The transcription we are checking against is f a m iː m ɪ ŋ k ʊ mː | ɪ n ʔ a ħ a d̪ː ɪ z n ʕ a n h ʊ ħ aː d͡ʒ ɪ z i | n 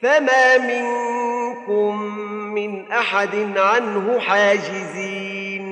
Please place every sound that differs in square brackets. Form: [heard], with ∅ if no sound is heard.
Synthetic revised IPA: f a m [aː] m ɪ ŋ k ʊ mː | ɪ n ʔ a ħ a [d̪] ɪ [∅] n ʕ a n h ʊ ħ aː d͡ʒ ɪ z [iː] | n